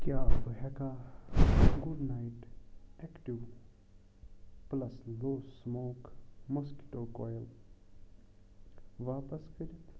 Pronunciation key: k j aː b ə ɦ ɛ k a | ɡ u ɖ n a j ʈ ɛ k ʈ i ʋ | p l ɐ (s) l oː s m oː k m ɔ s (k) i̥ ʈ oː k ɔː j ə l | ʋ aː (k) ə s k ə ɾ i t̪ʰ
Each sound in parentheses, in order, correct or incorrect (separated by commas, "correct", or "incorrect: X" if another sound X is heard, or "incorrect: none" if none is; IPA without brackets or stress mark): correct, correct, incorrect: p